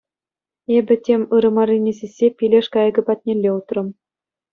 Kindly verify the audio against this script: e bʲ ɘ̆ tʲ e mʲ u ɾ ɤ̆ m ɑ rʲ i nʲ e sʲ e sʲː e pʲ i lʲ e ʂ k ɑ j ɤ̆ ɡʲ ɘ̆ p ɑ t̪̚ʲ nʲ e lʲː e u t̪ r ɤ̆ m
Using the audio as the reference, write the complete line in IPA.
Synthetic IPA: e bʲ ɘ̆ tʲ e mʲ ɯ ɾ ɤ̆ m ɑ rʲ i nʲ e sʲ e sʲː e pʲ i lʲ e ʂ k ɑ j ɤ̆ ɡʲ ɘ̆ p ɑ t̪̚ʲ nʲ e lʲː e u t̪ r ɤ̆ m